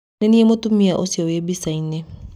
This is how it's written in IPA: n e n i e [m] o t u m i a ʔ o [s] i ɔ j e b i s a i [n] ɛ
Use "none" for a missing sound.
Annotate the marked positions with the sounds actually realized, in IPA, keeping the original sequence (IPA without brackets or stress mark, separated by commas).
m, s, n